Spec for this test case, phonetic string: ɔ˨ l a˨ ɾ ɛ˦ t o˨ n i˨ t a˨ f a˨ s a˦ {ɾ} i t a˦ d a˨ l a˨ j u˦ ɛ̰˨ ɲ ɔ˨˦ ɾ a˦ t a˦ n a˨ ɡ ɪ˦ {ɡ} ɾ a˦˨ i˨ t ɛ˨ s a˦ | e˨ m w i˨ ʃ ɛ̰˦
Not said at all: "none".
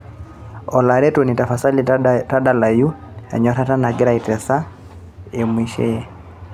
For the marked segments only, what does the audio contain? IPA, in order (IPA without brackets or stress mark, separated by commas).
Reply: l, none